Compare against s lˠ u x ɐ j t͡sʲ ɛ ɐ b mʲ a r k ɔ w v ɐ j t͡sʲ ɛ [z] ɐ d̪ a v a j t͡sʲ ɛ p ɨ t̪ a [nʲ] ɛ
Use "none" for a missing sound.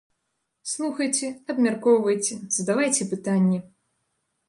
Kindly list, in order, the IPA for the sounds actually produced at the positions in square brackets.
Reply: z, nʲː

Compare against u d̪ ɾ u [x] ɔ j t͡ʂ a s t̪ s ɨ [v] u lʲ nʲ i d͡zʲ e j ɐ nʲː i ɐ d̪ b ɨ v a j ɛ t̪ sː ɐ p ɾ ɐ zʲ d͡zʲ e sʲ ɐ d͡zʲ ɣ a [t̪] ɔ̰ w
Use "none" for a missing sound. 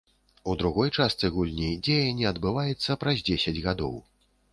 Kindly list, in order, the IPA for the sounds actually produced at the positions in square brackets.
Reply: ɣ, ɣ, d̪

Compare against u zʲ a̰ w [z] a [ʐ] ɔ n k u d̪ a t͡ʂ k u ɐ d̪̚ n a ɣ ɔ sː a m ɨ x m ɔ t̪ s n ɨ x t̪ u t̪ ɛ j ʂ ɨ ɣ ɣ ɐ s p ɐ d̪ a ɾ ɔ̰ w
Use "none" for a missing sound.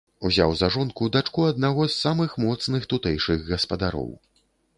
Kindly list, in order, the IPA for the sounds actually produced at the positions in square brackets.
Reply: z, ʐ

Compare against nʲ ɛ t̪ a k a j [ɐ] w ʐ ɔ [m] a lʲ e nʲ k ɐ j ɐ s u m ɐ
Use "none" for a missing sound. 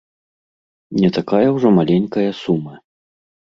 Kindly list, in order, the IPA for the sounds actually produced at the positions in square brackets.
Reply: ɐ, m

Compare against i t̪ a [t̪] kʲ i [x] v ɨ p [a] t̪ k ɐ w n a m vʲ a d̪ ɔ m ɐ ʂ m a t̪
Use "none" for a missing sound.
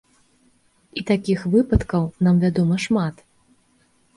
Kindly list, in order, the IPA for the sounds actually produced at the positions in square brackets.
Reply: none, x, ɐ

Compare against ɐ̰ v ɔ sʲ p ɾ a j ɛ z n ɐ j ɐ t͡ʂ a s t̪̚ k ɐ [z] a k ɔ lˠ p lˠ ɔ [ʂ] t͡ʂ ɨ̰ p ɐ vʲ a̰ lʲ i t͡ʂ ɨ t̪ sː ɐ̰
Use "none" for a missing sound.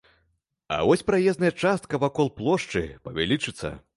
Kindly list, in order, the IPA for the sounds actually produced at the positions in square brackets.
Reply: v, ʂ

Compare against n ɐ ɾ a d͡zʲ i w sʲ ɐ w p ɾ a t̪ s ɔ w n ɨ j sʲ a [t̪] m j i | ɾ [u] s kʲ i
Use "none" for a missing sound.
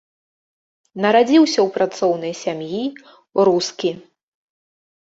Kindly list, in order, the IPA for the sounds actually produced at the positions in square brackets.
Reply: none, u

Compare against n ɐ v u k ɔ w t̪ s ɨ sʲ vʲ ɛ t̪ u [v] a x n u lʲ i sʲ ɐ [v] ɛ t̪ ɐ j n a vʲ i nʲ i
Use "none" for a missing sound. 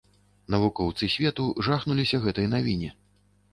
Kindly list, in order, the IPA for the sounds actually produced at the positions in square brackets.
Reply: ʐ, ɣ

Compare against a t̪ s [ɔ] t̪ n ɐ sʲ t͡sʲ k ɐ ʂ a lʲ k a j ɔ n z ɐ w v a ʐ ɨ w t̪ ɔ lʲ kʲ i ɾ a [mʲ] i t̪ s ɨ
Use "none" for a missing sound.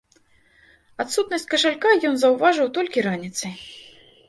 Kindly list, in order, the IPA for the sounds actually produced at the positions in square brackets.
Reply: u, nʲ

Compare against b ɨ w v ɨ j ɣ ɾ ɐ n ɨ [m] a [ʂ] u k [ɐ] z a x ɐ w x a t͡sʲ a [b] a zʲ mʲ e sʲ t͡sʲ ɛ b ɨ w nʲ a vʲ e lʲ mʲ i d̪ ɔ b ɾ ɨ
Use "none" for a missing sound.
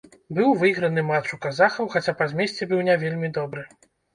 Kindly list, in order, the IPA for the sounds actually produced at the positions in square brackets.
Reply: m, t͡ʂ, a, p

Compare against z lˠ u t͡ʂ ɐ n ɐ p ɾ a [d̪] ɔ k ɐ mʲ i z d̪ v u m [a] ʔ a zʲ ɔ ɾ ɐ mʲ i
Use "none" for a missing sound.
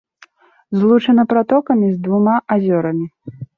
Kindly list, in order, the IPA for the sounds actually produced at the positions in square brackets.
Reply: t̪, a

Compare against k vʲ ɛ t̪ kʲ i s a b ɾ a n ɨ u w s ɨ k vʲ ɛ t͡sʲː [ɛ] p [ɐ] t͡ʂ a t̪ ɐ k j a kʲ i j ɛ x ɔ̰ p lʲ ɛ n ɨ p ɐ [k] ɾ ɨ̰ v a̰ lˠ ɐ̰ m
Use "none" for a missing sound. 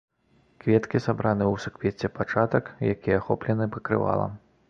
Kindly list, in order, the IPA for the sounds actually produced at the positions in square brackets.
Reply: ɛ, a, k

